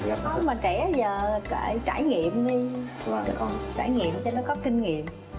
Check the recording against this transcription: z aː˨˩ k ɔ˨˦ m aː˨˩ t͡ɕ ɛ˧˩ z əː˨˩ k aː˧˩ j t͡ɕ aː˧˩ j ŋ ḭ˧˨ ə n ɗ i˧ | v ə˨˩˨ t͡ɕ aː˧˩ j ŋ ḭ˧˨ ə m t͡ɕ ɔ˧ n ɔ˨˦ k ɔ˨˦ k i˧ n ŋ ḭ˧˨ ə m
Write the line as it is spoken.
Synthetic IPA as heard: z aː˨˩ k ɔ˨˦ m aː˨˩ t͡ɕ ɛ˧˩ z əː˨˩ k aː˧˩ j t͡ɕ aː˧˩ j ŋ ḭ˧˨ ə m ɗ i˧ | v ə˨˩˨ t͡ɕ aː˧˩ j ŋ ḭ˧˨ ə m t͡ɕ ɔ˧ n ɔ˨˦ k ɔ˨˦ k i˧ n ŋ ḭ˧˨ ə m